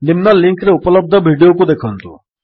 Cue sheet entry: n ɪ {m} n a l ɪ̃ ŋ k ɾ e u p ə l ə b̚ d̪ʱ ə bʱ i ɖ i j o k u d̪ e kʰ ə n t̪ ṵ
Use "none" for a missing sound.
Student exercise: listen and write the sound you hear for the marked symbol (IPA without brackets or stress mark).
m